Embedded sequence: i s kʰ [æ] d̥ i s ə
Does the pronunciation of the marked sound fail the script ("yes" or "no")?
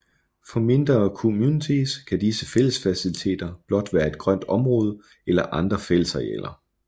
no